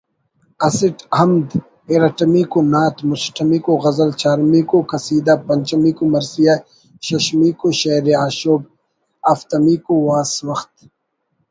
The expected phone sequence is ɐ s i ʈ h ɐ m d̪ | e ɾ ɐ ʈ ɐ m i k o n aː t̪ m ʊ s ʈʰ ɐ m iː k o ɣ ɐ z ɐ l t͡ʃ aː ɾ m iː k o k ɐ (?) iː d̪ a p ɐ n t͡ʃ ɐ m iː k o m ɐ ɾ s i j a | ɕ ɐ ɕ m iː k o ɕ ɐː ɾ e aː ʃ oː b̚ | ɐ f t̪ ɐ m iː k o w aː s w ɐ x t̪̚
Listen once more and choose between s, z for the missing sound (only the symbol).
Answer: s